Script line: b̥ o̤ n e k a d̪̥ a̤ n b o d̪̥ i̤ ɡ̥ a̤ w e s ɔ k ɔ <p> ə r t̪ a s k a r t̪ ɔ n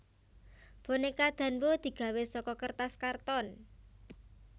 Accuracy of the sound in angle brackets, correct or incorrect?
incorrect: k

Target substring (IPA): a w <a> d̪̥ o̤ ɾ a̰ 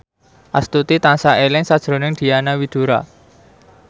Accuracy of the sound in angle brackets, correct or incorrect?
incorrect: i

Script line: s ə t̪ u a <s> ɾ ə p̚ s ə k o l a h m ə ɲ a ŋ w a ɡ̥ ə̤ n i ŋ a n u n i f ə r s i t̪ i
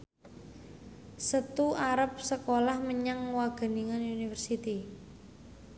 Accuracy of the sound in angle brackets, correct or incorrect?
incorrect: none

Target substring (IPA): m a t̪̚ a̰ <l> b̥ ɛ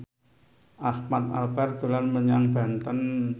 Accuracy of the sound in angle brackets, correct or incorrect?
correct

